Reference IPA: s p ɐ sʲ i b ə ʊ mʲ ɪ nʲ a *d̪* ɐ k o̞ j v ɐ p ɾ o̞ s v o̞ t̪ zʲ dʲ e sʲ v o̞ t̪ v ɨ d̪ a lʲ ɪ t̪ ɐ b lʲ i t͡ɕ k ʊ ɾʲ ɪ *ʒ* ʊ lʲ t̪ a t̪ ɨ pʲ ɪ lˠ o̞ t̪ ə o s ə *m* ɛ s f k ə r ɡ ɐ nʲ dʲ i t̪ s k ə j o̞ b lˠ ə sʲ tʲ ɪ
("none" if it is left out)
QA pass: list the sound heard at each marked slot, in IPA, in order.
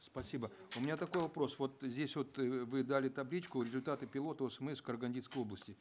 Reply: t̪, z, m

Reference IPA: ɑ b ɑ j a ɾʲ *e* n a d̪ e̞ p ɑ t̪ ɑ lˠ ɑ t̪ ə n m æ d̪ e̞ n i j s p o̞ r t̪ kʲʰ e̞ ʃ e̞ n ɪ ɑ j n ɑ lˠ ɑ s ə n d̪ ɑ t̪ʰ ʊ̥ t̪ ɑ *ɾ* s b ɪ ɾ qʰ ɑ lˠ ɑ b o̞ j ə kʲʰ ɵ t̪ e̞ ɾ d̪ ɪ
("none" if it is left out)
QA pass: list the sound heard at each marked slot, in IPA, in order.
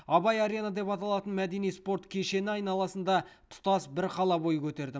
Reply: e, none

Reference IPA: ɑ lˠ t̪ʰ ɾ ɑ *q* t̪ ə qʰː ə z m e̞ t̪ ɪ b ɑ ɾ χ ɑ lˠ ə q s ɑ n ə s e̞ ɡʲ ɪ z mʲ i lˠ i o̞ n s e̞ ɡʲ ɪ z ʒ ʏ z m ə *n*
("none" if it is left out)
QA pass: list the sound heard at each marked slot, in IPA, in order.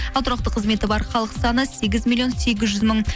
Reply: q, ɴ

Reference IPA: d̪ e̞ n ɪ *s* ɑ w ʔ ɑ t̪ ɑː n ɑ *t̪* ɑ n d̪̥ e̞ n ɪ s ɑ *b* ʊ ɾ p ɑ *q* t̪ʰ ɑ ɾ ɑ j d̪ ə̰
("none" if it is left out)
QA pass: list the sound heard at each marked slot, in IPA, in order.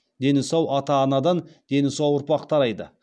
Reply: s, d̪, w, q

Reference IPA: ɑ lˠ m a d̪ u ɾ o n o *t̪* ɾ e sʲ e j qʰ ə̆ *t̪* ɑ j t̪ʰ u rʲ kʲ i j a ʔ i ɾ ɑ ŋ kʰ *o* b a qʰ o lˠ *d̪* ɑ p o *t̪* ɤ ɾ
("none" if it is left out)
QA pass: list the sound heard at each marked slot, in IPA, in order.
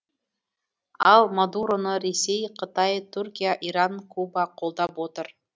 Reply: none, t̪, u, d̪, t̪

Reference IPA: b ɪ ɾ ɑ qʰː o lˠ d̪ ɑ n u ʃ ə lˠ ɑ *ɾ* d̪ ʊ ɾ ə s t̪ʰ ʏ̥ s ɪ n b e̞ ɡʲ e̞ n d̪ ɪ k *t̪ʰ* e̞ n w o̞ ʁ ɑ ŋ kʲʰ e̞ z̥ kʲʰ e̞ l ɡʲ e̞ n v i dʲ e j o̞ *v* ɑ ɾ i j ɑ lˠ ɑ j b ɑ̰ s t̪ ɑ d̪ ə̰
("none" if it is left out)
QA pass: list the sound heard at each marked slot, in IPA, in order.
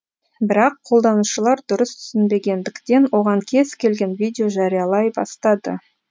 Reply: ɾ, t̪, ʒ

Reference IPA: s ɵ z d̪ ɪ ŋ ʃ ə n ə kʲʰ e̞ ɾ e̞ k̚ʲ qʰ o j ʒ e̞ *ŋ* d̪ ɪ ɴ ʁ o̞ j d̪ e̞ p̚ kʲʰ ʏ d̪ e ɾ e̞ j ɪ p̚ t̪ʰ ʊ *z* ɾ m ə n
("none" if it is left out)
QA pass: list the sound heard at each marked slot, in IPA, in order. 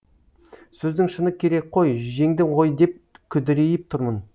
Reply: ŋ, none

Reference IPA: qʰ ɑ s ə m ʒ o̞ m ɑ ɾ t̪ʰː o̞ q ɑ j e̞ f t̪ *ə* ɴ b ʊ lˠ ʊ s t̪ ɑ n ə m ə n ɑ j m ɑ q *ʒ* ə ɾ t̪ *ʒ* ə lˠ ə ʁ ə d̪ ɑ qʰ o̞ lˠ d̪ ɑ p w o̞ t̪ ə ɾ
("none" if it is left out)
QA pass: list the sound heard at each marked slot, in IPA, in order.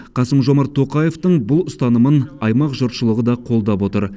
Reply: ə, ʒ, ʃ

